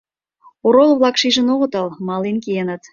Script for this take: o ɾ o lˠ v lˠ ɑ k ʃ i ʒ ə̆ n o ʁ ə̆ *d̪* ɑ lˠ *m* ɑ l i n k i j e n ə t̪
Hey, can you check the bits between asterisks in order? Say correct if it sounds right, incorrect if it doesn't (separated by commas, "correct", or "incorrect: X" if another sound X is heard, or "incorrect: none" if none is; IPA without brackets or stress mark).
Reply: incorrect: t̪, correct